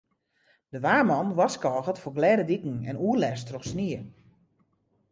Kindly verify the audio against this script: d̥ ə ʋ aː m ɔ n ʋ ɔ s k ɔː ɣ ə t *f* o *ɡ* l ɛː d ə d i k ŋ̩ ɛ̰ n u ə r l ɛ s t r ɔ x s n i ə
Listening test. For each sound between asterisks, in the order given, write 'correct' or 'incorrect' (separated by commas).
correct, correct